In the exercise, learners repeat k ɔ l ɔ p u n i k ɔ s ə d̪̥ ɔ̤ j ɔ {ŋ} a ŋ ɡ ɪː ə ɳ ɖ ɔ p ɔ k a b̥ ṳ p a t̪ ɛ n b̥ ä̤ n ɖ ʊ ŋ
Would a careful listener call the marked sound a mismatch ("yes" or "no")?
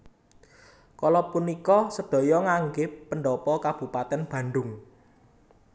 no